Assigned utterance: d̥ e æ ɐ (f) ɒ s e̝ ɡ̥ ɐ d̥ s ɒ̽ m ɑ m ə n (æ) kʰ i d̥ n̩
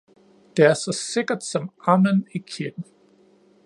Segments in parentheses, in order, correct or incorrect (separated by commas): incorrect, incorrect